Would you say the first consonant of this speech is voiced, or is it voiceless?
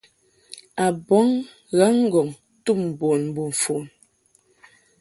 voiced